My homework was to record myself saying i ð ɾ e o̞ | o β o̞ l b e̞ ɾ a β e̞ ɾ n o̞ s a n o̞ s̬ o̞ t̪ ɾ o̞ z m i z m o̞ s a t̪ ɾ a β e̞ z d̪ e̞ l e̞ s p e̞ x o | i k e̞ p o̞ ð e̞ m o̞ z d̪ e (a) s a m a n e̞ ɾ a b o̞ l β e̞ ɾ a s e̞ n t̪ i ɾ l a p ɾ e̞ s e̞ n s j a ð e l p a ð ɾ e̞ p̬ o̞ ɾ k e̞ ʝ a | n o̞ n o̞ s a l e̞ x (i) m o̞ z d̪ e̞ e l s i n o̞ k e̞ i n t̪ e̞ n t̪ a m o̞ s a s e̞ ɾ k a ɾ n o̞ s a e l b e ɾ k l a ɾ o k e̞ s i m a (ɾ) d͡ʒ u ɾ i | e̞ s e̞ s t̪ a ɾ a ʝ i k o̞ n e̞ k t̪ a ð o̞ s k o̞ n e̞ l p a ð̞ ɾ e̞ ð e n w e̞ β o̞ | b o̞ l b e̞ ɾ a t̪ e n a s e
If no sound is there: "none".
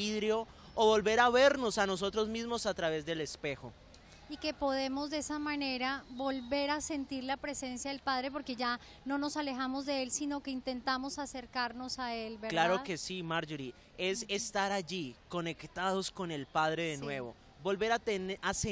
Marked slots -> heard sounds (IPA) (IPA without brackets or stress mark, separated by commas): e, a, ɾ